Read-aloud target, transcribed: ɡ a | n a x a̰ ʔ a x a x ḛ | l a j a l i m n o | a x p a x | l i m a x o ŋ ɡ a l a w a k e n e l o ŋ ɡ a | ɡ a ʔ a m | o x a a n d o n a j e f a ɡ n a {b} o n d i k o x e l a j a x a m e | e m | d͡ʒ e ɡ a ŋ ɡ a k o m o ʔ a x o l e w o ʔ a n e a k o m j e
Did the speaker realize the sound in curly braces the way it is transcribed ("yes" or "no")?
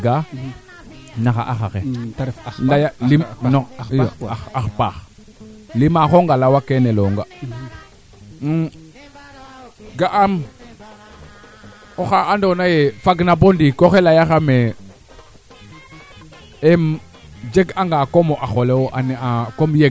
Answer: yes